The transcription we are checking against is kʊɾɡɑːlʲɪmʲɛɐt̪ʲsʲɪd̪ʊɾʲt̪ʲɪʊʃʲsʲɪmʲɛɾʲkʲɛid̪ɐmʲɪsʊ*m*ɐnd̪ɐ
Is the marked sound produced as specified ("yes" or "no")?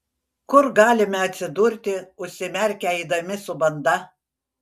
no